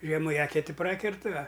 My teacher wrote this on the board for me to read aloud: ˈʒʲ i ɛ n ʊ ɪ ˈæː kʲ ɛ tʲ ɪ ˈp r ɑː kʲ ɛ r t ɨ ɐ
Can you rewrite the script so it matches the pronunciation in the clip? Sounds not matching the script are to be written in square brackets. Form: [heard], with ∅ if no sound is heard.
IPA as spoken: ˈʒʲ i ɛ [m] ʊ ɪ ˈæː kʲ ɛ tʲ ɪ ˈp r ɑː kʲ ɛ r t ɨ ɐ